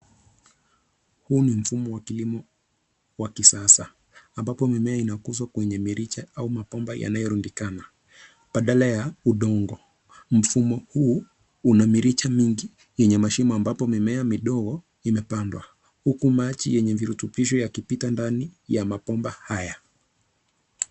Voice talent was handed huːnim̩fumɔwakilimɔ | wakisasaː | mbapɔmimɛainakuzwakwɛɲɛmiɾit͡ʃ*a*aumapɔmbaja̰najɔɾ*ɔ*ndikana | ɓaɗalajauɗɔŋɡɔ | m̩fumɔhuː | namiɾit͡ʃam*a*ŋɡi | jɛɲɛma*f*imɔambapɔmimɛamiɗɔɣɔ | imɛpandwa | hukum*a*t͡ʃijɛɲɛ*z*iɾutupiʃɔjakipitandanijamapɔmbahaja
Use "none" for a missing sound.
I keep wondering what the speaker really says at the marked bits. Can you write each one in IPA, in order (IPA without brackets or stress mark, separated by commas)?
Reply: a, u, i, ʃ, a, v